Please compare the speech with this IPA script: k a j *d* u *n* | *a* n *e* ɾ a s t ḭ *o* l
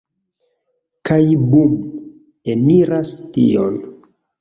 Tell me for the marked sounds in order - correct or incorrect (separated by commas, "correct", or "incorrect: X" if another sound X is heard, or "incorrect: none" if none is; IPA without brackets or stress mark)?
incorrect: b, incorrect: m, incorrect: e, incorrect: i, correct